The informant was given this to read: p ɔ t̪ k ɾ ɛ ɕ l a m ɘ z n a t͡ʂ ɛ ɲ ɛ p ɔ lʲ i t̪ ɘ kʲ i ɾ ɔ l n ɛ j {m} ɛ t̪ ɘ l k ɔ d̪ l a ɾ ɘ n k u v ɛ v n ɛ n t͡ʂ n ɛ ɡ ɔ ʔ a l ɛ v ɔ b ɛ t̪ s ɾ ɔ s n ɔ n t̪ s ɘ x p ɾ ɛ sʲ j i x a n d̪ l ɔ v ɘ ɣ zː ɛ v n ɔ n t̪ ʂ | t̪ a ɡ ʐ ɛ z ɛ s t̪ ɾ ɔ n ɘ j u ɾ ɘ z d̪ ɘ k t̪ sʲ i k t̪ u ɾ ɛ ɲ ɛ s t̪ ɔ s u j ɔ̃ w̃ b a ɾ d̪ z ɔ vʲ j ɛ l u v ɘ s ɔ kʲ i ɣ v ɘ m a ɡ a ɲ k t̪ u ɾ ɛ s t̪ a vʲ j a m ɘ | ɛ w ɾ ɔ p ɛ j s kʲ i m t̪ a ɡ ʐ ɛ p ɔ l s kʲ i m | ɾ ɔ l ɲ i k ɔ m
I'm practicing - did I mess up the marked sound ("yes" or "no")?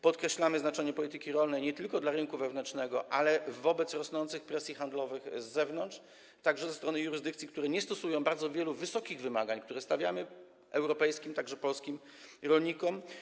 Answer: yes